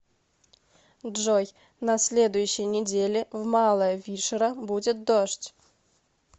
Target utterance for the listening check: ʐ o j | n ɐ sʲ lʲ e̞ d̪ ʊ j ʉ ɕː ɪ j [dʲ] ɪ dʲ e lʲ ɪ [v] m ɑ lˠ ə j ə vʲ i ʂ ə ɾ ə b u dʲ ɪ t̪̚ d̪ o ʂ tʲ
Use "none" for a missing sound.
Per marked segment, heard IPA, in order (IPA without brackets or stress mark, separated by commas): nʲ, v